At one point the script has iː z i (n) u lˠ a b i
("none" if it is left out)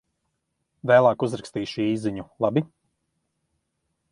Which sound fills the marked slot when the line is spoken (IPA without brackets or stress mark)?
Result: ɲ